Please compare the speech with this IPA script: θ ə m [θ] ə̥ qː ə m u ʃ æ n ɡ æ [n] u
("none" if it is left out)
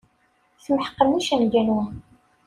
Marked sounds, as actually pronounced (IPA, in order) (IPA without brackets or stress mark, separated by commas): ħ, n